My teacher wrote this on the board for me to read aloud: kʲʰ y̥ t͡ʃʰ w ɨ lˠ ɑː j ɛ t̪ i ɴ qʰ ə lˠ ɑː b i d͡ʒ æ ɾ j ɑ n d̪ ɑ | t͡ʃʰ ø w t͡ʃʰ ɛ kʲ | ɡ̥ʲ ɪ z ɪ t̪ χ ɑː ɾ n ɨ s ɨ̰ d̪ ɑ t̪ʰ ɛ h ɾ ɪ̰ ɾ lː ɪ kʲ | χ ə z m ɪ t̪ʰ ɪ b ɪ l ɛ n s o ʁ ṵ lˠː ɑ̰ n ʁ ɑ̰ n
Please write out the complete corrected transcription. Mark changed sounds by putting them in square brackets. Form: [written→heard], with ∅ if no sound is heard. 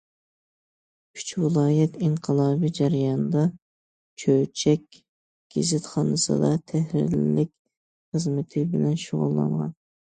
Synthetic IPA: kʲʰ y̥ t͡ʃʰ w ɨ lˠ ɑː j ɛ t̪ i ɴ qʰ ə lˠ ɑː b i d͡ʒ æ ɾ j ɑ n d̪ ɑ | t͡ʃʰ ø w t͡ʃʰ ɛ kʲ | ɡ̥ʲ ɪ z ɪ t̪ χ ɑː [ɾ→∅] n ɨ s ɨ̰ d̪ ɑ t̪ʰ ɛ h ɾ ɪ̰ ɾ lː ɪ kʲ | χ ə z m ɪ t̪ʰ ɪ b ɪ l ɛ n [s→ʃ] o ʁ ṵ lˠː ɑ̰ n ʁ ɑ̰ n